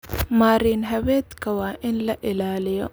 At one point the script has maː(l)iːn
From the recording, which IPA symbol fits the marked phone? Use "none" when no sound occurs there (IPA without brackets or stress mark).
ɾ